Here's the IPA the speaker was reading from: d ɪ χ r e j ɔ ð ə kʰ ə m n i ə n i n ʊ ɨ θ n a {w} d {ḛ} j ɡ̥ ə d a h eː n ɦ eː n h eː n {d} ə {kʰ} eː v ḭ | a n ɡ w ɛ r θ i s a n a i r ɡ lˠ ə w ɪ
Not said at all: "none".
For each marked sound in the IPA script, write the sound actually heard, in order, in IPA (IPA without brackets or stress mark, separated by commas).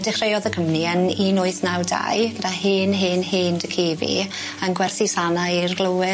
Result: w, a̰, d, kʰ